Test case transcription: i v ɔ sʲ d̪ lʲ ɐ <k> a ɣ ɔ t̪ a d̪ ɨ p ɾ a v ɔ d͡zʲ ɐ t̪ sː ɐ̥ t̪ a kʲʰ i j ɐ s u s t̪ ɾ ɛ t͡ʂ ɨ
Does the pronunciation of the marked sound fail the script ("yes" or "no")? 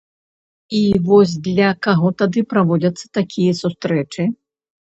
no